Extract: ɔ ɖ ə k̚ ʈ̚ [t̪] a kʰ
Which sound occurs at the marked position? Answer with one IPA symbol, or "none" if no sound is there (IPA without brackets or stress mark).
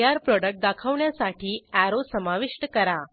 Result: d̪